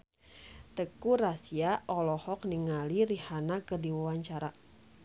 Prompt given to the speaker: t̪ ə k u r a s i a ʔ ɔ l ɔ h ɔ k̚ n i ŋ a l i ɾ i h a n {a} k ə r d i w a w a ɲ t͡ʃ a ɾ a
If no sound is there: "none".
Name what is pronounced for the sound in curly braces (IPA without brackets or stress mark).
a